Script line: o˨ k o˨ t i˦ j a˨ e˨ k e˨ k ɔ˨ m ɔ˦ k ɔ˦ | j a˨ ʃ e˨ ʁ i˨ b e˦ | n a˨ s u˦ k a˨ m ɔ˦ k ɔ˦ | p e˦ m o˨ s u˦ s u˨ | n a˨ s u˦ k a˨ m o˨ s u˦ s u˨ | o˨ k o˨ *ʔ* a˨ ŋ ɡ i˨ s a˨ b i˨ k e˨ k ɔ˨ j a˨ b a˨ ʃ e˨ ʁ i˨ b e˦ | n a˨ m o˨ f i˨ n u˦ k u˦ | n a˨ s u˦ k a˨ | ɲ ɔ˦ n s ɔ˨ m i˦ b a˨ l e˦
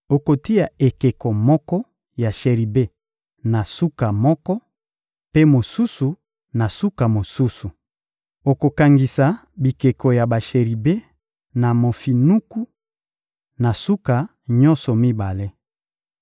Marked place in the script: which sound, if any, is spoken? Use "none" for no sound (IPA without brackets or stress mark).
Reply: k